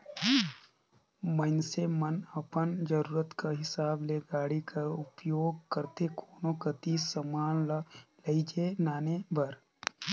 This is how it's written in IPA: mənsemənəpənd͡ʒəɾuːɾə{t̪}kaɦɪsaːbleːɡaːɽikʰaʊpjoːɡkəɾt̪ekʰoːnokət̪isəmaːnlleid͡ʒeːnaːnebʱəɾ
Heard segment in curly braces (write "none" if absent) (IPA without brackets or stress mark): t̪